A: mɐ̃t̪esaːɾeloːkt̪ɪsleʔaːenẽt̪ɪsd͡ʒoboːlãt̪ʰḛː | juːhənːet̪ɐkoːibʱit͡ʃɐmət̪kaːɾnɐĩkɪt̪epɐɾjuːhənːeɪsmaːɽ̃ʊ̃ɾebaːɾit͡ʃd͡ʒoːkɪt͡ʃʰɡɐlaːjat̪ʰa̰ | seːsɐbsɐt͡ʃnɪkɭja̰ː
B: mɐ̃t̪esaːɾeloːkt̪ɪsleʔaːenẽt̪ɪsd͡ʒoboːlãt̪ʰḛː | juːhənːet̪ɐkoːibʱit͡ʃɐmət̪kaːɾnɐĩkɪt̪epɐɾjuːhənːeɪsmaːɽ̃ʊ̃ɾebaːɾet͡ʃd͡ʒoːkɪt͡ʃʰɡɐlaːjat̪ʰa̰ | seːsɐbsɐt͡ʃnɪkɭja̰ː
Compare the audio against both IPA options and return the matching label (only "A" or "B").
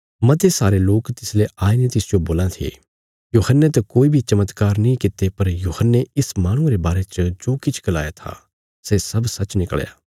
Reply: B